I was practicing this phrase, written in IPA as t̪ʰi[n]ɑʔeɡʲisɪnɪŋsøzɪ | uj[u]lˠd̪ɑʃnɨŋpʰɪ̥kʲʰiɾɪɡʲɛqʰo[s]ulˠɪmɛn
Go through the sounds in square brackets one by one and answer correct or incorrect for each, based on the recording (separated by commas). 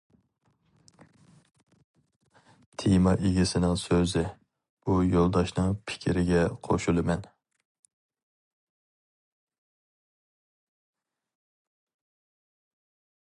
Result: incorrect, incorrect, incorrect